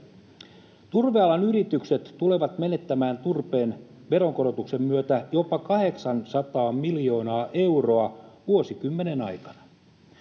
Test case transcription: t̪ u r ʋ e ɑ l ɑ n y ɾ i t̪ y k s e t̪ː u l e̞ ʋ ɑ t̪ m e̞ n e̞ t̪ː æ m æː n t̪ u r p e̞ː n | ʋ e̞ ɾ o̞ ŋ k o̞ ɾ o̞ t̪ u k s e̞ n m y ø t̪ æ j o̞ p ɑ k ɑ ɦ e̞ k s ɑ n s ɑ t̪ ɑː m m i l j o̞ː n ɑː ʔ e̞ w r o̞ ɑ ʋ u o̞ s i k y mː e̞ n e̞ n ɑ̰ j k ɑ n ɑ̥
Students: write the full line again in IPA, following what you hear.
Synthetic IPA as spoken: t̪ u r ʋ e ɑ l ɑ n y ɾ i t̪ y k s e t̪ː u l e̞ ʋ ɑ t̪ m e̞ n e̞ t̪ː æ m æː n t̪ u r p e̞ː n | ʋ e̞ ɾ o̞ ŋ k o̞ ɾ o̞ t̪ u k s e̞ m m y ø t̪ æ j o̞ p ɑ k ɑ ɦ e̞ k s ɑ n s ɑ t̪ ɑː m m i l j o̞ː n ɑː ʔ e̞ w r o̞ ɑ ʋ u o̞ s i k y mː e̞ n e̞ n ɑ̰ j k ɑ n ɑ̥

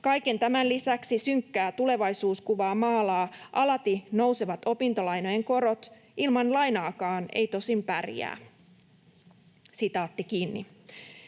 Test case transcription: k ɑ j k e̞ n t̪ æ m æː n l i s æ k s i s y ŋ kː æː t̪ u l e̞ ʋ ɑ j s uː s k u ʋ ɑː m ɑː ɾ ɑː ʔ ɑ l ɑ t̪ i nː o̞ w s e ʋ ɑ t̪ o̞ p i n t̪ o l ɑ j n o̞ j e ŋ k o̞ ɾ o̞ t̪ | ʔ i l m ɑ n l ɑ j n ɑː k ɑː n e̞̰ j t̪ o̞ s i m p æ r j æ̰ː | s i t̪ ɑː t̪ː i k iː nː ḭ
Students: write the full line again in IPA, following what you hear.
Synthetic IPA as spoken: k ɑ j k e̞ n t̪ æ m æ n l i s æ k s i s y ŋ kː æː t̪ u l e̞ ʋ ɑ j s uː s k u ʋ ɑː m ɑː l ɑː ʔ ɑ l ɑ t̪ i n o̞ w s e ʋ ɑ t̪ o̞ p i n t̪ o l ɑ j n o̞ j e ŋ k o̞ ɾ o̞ t̪ | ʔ i l m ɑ n l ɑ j n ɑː k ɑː n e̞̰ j t̪ o̞ s i m p æ r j æ̰ː | s i t̪ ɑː t̪ː i k iː nː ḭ

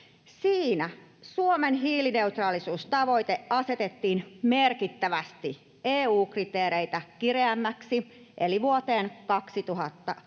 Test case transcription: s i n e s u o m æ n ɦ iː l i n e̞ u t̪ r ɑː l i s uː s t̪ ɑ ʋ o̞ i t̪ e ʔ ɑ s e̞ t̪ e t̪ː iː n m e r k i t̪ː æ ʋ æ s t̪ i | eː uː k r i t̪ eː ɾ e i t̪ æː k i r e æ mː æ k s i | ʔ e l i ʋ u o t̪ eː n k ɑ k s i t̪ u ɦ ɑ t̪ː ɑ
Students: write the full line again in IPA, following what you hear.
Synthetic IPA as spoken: s iː n æ s u o m e n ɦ iː l i n e̞ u t̪ r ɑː l i s uː s t̪ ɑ ʋ o̞ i t̪ e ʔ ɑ s e̞ t̪ e t̪ː iː n m e r k i t̪ː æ ʋ æ s t̪ i | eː uː k r i t̪ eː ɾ e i t̪ æ k i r e æ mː æ k s i | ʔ e l i ʋ u o t̪ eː n k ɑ k s i t̪ u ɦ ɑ t̪ː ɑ

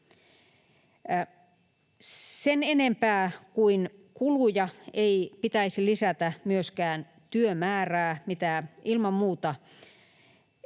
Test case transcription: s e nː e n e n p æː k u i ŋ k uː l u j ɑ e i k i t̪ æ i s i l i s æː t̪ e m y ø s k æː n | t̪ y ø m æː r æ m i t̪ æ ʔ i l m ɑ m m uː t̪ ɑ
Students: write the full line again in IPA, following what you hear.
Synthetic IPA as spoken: s e n e n e m p æː k u i n k u l u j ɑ e i p i t̪ æ i s i l i s æ t̪ æ m y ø s k æː n | t̪ y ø m æː r æː m i t̪ æ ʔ i l m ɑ m m uː t̪ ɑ

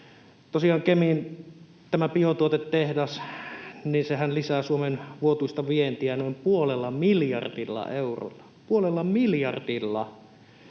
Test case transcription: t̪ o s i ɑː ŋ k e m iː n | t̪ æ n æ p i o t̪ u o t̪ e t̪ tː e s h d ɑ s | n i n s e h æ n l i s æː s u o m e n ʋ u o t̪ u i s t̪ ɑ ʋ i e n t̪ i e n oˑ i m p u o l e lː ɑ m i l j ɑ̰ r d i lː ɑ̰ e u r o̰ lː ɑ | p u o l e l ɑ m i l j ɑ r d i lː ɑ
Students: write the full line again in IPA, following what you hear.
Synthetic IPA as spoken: t̪ o s i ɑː ŋ k e m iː n | t̪ æ m æ p i o t̪ u o t̪ e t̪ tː e h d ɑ s | n i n s e h æ n l i s æː s u o m e n ʋ u o t̪ u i s t̪ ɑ ʋ i e n t̪ i æ n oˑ i m p u o l e lː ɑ m i l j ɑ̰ r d i lː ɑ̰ e u r o̰ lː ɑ | p u o l e lː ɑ m i l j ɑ r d i lː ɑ

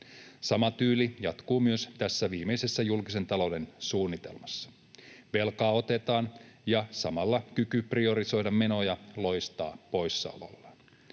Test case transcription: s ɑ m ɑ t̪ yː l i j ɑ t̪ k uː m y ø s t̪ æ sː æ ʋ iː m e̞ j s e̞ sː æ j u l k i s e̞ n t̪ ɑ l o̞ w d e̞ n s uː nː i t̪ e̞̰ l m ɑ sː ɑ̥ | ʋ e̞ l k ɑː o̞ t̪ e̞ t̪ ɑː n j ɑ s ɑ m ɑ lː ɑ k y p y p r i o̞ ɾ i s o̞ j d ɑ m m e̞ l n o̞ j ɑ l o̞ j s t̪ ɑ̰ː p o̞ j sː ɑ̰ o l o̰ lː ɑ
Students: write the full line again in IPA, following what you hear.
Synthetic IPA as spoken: s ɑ m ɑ t̪ yː l i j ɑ t̪ k uː m y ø s t̪ æ sː æ ʋ iː m e̞ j s e̞ sː æ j u l k i s e̞ n t̪ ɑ l o̞ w d e̞ n s uː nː i t̪ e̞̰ l m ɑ sː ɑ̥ | ʋ e̞ l k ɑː o̞ t̪ e̞ t̪ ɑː n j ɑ s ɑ m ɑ lː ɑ k y k y p r i o̞ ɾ i s o̞ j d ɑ m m e̞ n o̞ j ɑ l o̞ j s t̪ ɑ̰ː p o̞ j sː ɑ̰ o l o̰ lː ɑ

